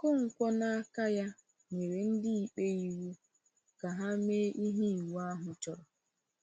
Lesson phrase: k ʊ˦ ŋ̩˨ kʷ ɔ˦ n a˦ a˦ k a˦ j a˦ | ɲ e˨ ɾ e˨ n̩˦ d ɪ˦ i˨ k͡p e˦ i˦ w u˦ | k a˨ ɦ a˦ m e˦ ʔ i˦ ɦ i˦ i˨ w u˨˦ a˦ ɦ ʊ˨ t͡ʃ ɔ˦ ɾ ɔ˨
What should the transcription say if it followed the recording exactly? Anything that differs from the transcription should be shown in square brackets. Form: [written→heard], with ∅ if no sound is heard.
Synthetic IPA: k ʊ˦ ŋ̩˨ kʷ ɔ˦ n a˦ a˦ k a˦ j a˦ | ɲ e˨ ɾ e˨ n̩˦ d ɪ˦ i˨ k͡p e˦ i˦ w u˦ | k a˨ ɦ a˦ m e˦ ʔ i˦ ɦ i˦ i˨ w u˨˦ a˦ ɦ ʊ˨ t͡ʃ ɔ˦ ɾ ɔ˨